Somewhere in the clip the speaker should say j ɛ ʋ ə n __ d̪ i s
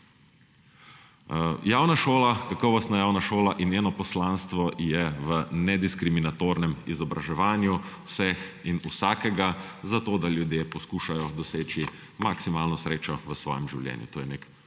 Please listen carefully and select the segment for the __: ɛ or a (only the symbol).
ɛ